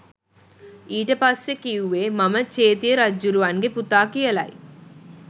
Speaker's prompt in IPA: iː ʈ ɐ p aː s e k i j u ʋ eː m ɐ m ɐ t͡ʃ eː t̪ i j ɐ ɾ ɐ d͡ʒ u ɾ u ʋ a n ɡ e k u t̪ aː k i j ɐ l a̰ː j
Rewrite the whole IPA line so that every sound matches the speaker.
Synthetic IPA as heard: iː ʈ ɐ p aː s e k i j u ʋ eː m ɐ m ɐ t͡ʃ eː t̪ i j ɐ ɾ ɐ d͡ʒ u ɾ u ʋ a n ɡ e p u t̪ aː k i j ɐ l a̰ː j